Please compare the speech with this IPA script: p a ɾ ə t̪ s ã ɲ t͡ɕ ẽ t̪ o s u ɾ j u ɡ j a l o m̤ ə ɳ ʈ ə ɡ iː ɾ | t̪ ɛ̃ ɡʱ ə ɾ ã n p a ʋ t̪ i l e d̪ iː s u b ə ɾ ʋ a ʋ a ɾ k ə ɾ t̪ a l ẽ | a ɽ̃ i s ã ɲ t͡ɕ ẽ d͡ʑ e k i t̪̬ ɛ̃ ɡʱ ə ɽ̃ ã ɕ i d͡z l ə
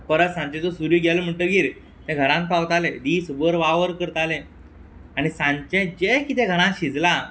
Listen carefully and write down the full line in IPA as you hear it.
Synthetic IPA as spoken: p ə ɾ ə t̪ s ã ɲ t͡ɕ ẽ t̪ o s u ɾ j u ɡ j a l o m̤ ə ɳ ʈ ə ɡ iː ɾ | t̪ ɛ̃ ɡʱ ə ɾ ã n p a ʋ t̪ a l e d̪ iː s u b ə ɾ ʋ a ʋ ə ɾ k ə ɾ t̪ a l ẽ | a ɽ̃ i s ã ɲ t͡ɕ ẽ d͡ʑ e k i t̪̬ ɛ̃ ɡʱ ə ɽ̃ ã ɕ i d͡z l a